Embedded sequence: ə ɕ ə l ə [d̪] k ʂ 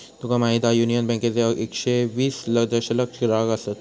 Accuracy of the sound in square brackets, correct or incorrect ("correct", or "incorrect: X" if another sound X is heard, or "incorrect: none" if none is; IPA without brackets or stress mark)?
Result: incorrect: none